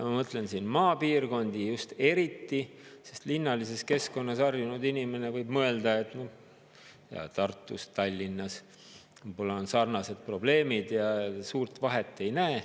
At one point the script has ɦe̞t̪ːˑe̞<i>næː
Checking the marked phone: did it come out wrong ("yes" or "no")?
yes